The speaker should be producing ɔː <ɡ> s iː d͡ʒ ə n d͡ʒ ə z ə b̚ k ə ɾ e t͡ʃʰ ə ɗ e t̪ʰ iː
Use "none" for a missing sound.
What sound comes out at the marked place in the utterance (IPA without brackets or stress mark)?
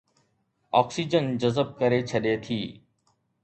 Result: k